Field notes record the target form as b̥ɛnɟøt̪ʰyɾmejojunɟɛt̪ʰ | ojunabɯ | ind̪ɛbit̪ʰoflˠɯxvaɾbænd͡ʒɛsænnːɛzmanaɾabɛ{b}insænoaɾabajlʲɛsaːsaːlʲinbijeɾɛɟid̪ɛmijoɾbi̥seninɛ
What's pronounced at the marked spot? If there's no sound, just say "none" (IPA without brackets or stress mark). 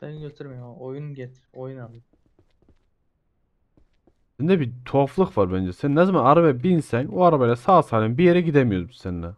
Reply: b